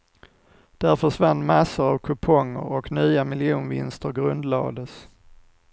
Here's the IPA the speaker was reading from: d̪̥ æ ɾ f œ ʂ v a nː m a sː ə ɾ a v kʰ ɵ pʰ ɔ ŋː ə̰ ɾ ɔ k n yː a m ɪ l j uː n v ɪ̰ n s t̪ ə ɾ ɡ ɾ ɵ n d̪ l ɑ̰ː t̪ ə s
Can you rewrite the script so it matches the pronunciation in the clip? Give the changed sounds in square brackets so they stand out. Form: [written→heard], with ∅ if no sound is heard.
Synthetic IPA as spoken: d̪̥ æ ɾ f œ ʂ v a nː m a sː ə ɾ a v kʰ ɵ pʰ ɔ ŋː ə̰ ɾ ɔ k n yː a m ɪ l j uː n v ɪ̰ n s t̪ ə ɾ ɡ ɾ ɵ n d̪ l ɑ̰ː [t̪→d̪] ə s

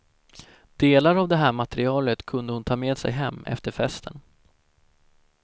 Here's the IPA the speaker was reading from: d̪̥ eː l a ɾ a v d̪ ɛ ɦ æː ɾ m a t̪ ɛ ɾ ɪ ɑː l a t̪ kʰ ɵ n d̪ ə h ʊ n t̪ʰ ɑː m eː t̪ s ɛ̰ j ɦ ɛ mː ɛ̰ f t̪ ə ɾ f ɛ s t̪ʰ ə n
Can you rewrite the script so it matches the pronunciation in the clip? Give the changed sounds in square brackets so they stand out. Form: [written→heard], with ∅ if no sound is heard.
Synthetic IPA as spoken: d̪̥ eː l a ɾ a v d̪ ɛ ɦ æː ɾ m a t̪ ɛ ɾ ɪ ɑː l [a→ə] t̪ kʰ ɵ n d̪ ə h ʊ n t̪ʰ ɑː m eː [t̪→d̪] s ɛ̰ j ɦ ɛ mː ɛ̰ f t̪ ə ɾ f ɛ s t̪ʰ ə n

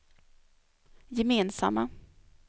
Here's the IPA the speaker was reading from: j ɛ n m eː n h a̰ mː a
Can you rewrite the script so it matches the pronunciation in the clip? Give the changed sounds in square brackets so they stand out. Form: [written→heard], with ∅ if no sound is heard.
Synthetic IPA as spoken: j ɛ [n→∅] m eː n [h→s] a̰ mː a

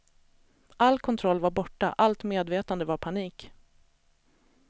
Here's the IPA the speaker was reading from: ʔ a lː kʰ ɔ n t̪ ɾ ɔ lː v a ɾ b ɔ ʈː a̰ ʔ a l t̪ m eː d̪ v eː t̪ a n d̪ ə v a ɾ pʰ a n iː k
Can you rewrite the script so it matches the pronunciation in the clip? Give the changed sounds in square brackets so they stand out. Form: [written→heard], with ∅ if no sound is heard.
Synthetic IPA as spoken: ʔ a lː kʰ ɔ n [t̪→t̪ʰ] ɾ ɔ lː v a ɾ b ɔ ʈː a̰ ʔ a l t̪ m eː d̪ v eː t̪ a n d̪ ə v a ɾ pʰ a n iː k

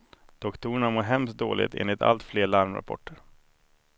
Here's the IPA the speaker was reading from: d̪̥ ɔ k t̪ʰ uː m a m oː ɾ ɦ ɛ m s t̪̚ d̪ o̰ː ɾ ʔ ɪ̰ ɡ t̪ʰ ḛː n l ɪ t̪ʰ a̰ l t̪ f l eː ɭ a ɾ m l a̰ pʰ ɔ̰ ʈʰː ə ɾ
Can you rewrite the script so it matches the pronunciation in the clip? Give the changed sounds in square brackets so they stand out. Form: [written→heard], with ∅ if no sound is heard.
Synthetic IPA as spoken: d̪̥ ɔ k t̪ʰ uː [m→ɳ] a m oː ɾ ɦ ɛ m s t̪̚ d̪ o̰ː [ɾ→l] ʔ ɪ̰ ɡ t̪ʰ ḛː n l ɪ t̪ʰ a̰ l t̪ f l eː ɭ a ɾ m [l→ɾ] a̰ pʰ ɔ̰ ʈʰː ə ɾ

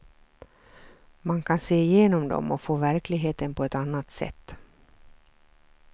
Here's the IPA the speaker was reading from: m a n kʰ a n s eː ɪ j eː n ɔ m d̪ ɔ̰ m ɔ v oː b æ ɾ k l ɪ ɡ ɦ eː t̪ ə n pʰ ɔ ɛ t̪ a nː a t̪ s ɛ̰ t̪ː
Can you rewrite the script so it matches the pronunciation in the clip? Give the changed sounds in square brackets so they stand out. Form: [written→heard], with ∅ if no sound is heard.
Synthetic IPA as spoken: m a n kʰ a n s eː ɪ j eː n ɔ m d̪ ɔ̰ m ɔ [v→f] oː [b→v] æ ɾ k l ɪ ɡ ɦ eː t̪ ə n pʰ ɔ ɛ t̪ a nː a t̪ s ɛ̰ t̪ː

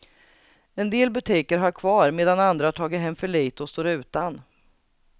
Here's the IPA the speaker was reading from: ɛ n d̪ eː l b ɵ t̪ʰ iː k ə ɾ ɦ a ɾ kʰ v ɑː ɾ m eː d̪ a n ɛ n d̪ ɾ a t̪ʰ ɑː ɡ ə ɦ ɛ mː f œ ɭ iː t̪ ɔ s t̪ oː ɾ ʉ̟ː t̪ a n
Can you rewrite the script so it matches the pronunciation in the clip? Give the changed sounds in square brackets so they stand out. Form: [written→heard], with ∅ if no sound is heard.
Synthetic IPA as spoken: ɛ n d̪ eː l b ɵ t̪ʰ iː k ə ɾ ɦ a ɾ kʰ v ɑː ɾ m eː d̪ a n [ɛ→a] n d̪ ɾ a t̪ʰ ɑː ɡ ə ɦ ɛ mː f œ ɭ iː t̪ ɔ s t̪ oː ɾ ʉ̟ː t̪ a n

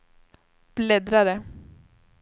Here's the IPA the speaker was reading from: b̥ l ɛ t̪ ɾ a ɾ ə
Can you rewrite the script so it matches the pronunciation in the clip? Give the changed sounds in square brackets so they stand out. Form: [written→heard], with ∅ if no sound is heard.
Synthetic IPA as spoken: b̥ l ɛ [t̪→d̪] ɾ a ɾ ə

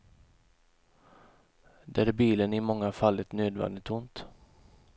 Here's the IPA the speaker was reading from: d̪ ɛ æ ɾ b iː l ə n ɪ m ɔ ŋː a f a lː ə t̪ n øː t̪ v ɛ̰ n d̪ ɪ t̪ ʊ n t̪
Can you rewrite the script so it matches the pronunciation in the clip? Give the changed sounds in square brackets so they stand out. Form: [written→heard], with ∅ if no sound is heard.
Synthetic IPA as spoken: d̪ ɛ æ ɾ b iː l ə n ɪ m ɔ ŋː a f a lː ə t̪ n øː [t̪→d̪] v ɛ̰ n d̪ ɪ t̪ ʊ n t̪

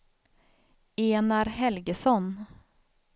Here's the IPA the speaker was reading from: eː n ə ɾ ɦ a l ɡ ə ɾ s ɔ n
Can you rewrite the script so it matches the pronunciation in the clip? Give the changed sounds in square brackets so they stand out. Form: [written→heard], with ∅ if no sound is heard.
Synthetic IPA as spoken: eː n [ə→a] ɾ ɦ [a→ɛ] l ɡ ə [ɾ→∅] s ɔ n

